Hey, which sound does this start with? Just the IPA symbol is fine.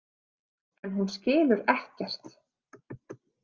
ɛ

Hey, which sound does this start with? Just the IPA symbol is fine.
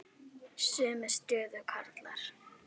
s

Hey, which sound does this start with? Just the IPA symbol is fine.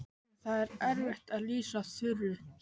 θ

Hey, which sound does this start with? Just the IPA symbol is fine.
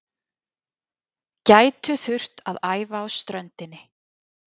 c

